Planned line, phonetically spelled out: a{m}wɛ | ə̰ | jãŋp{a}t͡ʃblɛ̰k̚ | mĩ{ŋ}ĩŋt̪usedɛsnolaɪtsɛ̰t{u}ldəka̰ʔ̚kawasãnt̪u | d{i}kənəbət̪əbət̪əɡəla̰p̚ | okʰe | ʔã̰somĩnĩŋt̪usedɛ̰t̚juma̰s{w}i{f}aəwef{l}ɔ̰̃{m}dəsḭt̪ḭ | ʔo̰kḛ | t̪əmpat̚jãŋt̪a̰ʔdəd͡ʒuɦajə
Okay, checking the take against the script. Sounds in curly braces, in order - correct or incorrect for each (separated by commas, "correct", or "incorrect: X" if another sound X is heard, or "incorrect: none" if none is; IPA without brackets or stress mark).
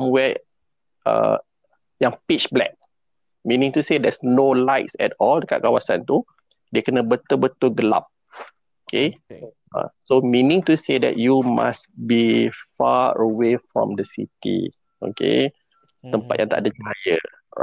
correct, incorrect: i, incorrect: n, incorrect: ɔ, incorrect: e, incorrect: b, correct, incorrect: ɹ, correct